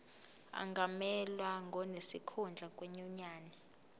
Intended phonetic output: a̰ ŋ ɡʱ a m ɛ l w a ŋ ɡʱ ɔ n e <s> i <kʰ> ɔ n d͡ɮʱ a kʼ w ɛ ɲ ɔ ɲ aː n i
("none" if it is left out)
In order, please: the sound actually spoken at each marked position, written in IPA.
s, kʰ

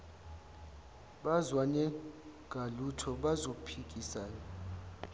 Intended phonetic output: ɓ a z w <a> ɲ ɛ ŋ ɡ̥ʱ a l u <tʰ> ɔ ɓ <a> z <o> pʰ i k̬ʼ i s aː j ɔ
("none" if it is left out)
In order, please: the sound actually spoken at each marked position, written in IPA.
a, tʰ, a, o

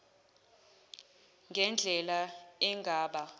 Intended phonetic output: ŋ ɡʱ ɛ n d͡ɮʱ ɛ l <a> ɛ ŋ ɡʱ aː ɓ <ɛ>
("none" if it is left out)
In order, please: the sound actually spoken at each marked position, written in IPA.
a, a

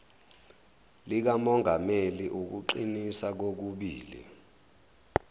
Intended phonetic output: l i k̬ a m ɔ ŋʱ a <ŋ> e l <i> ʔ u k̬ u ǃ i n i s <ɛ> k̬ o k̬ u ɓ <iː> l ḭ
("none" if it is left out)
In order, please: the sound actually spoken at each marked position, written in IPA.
m, i, a, iː

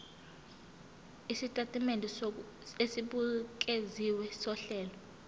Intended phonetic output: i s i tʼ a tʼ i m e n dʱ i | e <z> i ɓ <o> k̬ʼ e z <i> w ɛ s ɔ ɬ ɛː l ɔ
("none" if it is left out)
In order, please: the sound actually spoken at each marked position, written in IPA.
s, u, i

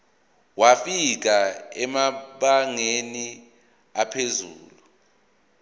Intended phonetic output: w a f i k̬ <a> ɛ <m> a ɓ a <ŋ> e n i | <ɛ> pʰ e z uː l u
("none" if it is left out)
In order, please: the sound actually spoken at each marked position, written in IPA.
a, m, ŋ, a

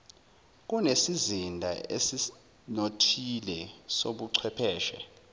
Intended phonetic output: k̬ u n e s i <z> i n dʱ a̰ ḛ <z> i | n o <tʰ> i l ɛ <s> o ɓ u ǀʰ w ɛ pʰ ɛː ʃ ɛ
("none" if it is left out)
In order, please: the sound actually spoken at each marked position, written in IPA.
z, s, tʰ, s

